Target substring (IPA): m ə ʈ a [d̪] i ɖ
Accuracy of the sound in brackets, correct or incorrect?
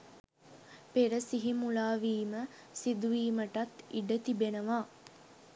incorrect